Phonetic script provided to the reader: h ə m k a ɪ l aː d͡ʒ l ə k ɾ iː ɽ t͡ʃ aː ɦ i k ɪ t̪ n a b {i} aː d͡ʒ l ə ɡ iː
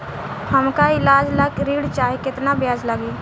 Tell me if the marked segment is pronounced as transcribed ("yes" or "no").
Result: no